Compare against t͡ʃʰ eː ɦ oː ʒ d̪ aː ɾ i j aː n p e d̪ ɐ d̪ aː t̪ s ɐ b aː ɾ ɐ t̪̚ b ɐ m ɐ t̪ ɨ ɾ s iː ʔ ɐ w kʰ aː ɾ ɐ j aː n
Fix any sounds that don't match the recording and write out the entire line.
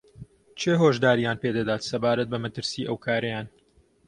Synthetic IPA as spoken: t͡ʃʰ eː ɦ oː ʒ d̪ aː ɾ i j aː n p e d̪ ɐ d̪ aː t̪ s ɐ b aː ɾ ɐ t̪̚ b ɐ m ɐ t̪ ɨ ɾ s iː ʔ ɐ w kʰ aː ɾ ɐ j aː n